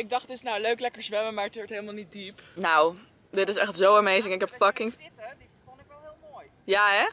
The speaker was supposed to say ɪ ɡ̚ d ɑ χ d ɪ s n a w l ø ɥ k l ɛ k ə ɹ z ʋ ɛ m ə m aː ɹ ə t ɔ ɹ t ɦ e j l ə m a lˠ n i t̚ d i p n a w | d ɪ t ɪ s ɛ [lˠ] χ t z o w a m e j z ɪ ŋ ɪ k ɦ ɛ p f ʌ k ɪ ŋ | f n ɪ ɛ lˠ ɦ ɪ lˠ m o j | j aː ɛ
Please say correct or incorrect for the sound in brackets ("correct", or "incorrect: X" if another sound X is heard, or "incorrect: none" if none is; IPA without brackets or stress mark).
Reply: incorrect: none